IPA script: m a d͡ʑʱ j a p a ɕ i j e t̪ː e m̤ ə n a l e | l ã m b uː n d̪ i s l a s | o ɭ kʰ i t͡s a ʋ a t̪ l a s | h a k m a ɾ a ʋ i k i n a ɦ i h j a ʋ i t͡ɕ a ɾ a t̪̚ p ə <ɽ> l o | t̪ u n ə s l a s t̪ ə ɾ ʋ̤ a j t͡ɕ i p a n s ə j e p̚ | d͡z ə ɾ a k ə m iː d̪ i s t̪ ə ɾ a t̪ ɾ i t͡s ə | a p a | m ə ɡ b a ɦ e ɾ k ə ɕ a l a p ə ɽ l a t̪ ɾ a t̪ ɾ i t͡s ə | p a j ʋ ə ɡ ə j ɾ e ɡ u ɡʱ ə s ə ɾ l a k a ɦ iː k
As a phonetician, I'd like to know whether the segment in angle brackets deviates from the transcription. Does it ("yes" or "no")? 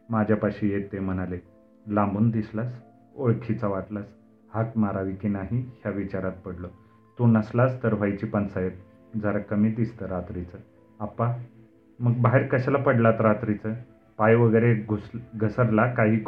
no